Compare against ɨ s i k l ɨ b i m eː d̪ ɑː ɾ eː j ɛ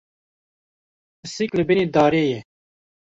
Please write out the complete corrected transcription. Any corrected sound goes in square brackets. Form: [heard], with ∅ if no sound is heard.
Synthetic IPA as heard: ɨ s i k l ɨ b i [n] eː d̪ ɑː ɾ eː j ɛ